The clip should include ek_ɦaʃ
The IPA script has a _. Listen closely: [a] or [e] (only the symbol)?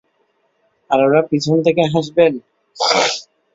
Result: e